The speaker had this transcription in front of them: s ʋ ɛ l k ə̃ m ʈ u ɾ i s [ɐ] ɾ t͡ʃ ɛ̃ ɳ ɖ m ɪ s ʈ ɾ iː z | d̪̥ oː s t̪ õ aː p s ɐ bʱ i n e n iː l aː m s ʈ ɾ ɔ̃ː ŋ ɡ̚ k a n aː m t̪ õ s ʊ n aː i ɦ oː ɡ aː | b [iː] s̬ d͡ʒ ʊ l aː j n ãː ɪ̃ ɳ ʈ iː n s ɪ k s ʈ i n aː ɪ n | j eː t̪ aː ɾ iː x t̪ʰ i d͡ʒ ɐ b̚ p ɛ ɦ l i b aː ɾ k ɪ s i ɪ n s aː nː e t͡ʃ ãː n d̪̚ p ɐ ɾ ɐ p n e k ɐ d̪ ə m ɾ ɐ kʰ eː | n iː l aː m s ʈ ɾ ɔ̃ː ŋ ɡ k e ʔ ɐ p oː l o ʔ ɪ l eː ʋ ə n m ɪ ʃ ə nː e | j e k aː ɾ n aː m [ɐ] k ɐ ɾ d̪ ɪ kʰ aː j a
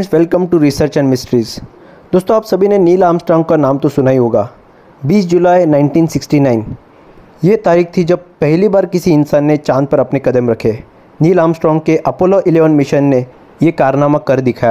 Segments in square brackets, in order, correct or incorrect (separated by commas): incorrect, correct, incorrect